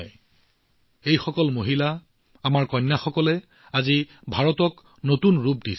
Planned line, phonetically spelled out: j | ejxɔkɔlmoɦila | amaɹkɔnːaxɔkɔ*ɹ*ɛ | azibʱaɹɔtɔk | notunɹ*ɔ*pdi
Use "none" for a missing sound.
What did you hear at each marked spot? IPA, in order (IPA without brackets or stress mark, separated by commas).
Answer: l, u